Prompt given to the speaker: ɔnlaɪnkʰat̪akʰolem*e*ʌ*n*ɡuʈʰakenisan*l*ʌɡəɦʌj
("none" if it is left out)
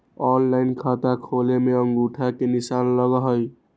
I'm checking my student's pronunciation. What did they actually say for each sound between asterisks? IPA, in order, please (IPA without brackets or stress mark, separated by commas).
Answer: e, ŋ, l